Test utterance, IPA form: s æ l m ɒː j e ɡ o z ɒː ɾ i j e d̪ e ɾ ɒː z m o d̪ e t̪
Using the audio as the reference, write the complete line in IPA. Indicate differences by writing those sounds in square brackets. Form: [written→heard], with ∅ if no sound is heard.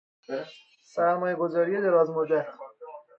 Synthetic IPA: s æ [l→ɾ] m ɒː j e ɡ o z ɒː ɾ i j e d̪ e ɾ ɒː z m o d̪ [e→æ] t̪